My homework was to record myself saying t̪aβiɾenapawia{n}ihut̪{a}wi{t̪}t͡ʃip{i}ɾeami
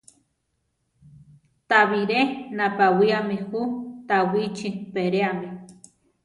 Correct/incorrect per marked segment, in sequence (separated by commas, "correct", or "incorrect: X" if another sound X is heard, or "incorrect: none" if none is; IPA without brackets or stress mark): incorrect: m, correct, incorrect: none, incorrect: e